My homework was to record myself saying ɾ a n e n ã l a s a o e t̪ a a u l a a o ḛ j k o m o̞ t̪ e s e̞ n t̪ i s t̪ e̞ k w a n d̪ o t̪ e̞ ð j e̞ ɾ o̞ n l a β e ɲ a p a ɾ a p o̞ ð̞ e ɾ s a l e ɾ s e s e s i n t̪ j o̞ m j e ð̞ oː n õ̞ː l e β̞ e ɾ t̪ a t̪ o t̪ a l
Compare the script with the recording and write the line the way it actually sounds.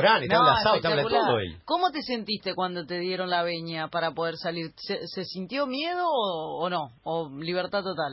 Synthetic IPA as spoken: ɾ a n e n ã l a s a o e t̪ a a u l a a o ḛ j k o m o̞ t̪ e s e̞ n t̪ i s t̪ e̞ k w a n d̪ o t̪ e̞ ð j e̞ ɾ o̞ n l a β e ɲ a p a ɾ a p o̞ ð̞ e ɾ s a l i ɾ s e s e s i n t̪ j o̞ m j e ð̞ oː n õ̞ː l i β̞ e ɾ t̪ a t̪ o t̪ a l